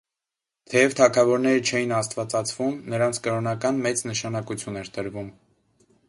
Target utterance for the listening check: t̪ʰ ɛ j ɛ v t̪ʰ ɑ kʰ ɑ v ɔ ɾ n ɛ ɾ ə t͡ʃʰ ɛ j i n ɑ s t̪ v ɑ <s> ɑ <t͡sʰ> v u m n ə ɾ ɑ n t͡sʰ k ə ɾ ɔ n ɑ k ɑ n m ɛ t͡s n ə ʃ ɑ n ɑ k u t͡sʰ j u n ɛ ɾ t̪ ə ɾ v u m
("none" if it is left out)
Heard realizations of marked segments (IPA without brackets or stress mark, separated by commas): t͡s, t͡sʰ